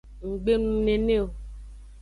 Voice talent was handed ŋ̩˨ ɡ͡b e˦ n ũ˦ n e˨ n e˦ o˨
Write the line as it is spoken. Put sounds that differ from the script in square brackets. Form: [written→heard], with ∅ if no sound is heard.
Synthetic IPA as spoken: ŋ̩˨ ɡ͡b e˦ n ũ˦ n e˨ n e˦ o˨

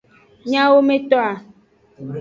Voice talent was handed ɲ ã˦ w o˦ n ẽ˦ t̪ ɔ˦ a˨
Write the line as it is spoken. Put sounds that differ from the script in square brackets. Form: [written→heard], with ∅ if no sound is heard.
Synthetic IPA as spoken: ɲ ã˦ w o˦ [n→m] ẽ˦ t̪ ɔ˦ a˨

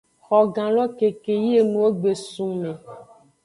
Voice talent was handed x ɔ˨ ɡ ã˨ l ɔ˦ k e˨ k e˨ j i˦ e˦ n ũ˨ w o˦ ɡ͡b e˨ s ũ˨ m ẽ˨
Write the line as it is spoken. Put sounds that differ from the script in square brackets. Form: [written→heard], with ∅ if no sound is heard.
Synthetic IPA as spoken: x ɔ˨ ɡ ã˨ l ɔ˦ k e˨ k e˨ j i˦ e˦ n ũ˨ w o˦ ɡ͡b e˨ s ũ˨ m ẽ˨

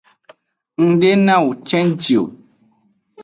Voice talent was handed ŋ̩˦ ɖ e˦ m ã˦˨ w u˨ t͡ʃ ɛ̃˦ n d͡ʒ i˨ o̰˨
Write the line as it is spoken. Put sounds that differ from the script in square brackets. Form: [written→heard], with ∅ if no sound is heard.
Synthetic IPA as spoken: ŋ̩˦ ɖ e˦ [m→n] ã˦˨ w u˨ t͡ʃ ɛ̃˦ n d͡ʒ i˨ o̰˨

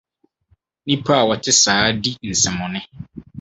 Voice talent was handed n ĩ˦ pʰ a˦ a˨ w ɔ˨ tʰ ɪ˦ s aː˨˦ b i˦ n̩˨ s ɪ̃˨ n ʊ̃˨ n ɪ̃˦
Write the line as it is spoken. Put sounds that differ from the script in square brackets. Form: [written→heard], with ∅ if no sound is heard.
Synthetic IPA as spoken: n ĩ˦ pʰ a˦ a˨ w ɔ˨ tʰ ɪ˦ s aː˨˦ [b→d] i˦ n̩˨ s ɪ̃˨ [n→m] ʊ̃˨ n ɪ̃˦

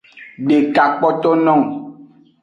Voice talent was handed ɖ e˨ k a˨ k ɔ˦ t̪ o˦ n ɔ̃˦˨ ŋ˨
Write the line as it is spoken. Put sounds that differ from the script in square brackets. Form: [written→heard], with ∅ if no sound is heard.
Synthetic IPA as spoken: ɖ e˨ k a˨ [k→k͡p] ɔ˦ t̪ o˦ n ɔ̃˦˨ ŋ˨

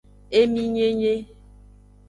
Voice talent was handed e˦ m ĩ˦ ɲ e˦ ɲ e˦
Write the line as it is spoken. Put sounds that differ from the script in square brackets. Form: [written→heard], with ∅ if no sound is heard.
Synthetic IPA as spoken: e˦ m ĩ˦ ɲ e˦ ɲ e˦

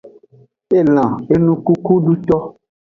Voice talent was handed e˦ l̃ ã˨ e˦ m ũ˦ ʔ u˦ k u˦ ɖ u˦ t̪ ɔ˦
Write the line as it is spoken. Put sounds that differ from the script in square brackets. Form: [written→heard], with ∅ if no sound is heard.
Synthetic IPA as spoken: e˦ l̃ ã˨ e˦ [m→n] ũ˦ [ʔ→k] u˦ k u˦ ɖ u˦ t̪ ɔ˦

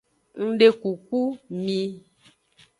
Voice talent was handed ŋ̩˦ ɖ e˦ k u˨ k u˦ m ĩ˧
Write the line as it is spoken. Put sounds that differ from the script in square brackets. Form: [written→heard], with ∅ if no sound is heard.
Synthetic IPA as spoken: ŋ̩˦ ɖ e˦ k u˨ k u˦ m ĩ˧

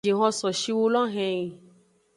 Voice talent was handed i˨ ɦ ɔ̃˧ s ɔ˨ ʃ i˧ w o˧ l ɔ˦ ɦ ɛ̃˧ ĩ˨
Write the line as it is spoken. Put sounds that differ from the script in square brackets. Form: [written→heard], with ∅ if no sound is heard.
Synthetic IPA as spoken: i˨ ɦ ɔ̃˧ s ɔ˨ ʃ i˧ w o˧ l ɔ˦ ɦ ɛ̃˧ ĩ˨

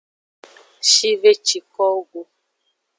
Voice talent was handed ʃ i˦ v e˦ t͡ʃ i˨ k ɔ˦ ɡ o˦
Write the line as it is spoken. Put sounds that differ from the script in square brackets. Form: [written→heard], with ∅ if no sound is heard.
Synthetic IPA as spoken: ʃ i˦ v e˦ t͡ʃ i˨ k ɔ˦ ɡ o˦

